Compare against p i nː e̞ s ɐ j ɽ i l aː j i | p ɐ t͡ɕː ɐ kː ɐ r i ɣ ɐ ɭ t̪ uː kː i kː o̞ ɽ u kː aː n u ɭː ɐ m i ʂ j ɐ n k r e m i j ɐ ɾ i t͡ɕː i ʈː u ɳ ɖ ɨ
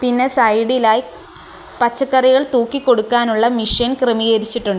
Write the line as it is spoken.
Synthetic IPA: p i nː e̞ s ɐ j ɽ i l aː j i | p ɐ t͡ɕː ɐ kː ɐ r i ɣ ɐ ɭ t̪ uː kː i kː o̞ ɽ u kː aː n u ɭː ɐ m i ʂ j ɐ n k r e m i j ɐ ɾ i t͡ɕː i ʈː u ɳ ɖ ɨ